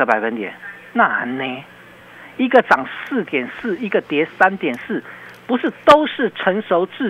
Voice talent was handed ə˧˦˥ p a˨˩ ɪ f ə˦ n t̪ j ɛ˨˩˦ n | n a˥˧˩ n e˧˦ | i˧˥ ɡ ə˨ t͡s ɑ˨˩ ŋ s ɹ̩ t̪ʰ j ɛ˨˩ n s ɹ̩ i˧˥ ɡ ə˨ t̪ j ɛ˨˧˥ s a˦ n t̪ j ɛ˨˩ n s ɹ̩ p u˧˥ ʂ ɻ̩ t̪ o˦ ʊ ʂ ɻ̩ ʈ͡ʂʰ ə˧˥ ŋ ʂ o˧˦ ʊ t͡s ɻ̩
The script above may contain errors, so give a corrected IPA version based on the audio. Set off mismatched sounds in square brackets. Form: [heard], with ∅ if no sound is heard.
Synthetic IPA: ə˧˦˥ p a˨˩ ɪ f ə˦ n t̪ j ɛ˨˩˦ n | n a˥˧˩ n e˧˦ | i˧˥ ɡ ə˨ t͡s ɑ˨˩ ŋ s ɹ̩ [t̪] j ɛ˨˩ n s ɹ̩ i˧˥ ɡ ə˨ t̪ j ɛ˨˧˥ s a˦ n t̪ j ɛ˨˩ n s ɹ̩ p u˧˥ ʂ ɻ̩ t̪ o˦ ʊ ʂ ɻ̩ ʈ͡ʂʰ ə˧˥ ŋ ʂ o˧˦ ʊ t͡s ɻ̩